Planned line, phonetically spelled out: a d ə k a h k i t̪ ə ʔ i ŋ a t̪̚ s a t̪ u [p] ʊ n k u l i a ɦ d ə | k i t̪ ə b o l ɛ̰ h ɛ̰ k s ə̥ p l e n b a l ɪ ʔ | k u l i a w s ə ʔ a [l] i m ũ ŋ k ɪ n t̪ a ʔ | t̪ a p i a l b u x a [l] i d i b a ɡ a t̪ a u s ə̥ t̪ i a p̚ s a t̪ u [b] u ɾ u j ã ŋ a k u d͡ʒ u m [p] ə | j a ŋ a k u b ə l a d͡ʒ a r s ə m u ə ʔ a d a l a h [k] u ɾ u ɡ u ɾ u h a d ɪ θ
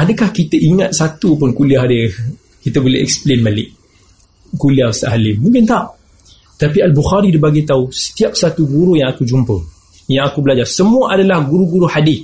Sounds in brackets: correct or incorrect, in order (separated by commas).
correct, correct, incorrect, incorrect, correct, incorrect